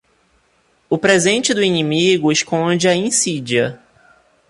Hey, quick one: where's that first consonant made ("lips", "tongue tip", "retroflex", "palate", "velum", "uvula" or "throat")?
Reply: lips